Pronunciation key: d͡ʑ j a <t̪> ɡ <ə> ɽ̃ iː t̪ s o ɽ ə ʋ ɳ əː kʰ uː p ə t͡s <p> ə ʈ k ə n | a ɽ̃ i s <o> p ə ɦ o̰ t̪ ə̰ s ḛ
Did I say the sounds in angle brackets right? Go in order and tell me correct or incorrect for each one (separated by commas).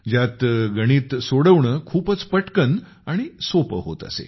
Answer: correct, correct, correct, correct